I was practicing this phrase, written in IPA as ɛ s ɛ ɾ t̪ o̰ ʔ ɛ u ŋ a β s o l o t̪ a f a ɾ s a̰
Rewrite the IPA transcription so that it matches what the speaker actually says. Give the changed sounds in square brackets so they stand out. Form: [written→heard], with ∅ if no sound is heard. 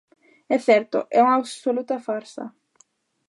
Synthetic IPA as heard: ɛ [s→θ] ɛ ɾ t̪ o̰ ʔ ɛ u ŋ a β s o l [o→u] t̪ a f a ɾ s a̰